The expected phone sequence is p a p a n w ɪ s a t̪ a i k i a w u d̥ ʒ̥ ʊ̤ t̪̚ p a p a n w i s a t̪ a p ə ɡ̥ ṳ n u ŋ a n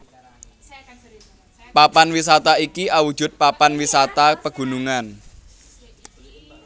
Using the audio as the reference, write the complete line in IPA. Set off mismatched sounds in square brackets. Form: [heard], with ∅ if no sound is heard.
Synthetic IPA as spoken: p a p a n w [i] s a t̪ a i k i a w u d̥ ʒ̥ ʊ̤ t̪̚ p a p a n w i s a t̪ a p ə ɡ̥ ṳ n u ŋ a n